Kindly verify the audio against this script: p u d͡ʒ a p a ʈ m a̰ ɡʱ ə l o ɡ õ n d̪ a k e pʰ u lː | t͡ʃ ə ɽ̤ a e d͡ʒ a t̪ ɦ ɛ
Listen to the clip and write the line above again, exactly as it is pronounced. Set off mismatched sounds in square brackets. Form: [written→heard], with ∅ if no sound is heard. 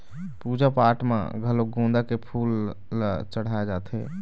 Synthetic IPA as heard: p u d͡ʒ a p a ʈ m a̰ ɡʱ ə l o ɡ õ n d̪ a k e pʰ u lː | t͡ʃ ə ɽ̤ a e d͡ʒ a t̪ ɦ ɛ